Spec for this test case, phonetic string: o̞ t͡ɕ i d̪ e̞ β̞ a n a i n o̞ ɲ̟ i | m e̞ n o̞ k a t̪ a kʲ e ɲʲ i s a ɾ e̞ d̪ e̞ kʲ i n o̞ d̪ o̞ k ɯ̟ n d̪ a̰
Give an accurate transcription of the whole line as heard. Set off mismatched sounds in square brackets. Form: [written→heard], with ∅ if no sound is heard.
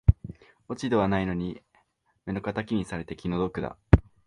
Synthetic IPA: o̞ t͡ɕ i d̪ e̞ β̞ a n a i n o̞ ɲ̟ i | m e̞ n o̞ k a t̪ a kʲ [e→i] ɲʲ i s a ɾ e̞ [d̪→t̪] e̞ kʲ i n o̞ d̪ o̞ k ɯ̟ [n→∅] d̪ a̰